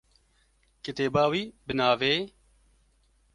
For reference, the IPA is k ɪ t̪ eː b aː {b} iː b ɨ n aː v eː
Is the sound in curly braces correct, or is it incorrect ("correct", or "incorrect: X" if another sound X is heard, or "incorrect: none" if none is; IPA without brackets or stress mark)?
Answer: incorrect: w